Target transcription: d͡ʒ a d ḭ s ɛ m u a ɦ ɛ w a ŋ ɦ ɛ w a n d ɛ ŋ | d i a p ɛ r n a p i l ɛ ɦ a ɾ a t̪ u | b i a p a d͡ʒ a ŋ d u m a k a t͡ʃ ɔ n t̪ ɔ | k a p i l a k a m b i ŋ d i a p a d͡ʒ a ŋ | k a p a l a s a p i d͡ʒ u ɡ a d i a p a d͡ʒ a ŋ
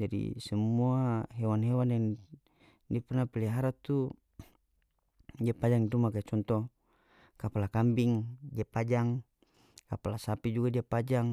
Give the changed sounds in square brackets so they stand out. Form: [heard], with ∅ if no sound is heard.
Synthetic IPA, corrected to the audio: d͡ʒ a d ḭ s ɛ m u a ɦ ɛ w a [n] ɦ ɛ w a n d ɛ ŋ | d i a p ɛ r n a p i l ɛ ɦ a ɾ a t̪ u | [d] i a p a d͡ʒ a ŋ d u m a k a t͡ʃ ɔ n t̪ ɔ | k a p [a] l a k a m b i ŋ d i a p a d͡ʒ a ŋ | k a p a l a s a p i d͡ʒ u ɡ a d i a p a d͡ʒ a ŋ